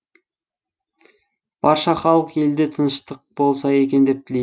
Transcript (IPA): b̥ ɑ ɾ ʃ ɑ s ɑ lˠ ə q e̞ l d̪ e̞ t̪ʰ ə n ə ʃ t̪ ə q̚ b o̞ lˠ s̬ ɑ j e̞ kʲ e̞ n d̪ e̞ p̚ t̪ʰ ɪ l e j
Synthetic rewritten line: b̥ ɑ ɾ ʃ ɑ χ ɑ lˠ ə q e̞ l d̪ e̞ t̪ʰ ə n ə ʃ t̪ ə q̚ b o̞ lˠ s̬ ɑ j e̞ kʲ e̞ n d̪ e̞ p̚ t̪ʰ ɪ l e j